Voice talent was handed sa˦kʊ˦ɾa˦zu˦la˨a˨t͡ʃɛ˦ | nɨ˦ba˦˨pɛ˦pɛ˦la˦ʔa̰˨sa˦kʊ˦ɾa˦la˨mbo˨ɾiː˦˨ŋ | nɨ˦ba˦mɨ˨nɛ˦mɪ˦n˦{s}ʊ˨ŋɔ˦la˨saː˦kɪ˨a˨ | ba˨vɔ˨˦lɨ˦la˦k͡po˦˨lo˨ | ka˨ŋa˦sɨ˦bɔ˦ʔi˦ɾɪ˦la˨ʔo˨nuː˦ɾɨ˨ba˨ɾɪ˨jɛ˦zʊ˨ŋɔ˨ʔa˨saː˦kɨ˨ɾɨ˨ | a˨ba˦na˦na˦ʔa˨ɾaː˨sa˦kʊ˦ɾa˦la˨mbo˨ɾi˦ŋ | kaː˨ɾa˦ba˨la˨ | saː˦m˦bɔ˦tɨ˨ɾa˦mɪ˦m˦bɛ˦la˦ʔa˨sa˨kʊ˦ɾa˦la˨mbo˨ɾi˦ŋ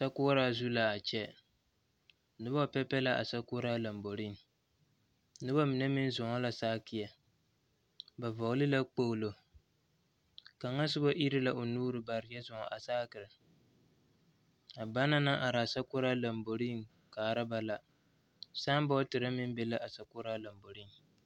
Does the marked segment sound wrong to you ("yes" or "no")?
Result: yes